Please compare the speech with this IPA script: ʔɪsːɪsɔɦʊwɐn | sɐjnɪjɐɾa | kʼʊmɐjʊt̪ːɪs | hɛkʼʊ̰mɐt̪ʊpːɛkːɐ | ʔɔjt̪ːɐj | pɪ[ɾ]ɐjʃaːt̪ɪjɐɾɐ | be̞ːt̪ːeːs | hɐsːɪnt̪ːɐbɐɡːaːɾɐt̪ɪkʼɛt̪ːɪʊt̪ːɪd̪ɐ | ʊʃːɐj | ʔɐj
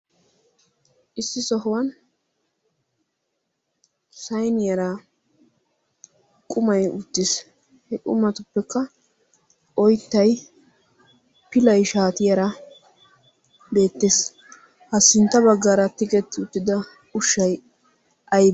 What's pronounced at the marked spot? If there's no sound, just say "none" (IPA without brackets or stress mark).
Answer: l